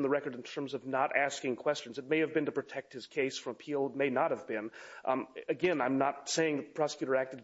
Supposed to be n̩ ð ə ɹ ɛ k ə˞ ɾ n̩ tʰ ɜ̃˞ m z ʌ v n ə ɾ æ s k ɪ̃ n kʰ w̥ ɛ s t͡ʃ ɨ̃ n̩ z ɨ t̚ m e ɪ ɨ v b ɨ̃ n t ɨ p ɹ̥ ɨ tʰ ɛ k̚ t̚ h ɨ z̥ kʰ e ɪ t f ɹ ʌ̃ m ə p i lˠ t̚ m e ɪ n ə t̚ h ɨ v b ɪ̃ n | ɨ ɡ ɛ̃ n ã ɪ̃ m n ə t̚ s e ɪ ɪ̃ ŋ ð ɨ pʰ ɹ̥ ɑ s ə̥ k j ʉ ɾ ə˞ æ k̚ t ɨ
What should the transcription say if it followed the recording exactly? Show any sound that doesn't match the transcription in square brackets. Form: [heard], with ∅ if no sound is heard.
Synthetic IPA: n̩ ð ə ɹ ɛ k ə˞ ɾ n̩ tʰ ɜ̃˞ m z ʌ v n ə ɾ æ s k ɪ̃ [ŋ] kʰ w̥ ɛ s t͡ʃ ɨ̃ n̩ z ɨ t̚ m e ɪ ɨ v b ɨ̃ n t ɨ p ɹ̥ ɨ tʰ ɛ k̚ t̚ h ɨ z̥ kʰ e ɪ [s] f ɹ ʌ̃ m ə [pʰ] i lˠ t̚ m e ɪ n ə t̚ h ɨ v b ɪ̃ n | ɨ ɡ ɛ̃ n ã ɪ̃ m n ə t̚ s e ɪ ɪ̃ ŋ ð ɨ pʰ ɹ̥ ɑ s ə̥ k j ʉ ɾ ə˞ æ k̚ t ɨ